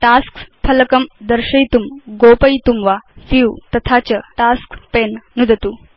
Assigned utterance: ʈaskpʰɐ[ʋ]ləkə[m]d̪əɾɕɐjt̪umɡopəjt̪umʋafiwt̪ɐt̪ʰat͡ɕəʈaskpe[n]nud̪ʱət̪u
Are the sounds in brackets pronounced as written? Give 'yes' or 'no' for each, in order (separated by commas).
no, yes, yes